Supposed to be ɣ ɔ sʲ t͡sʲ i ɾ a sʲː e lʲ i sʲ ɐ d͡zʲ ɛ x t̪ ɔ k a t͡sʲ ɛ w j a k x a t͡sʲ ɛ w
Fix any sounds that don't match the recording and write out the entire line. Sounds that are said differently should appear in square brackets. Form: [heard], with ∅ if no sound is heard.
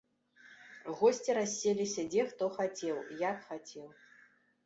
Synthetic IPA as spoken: ɣ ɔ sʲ t͡sʲ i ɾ a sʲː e lʲ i sʲ ɐ d͡zʲ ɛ x t̪ ɔ [x] a t͡sʲ ɛ w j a k x a t͡sʲ ɛ w